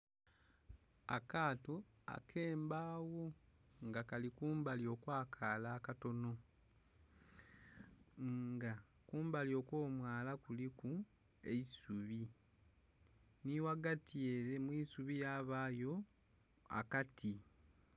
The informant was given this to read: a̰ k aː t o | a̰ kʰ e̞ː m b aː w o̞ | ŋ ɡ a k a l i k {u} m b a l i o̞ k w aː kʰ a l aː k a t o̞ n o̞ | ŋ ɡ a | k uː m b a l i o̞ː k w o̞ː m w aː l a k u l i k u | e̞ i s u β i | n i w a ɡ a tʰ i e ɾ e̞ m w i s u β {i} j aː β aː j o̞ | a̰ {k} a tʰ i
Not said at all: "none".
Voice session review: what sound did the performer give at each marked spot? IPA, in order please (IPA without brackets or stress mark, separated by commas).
uː, i, k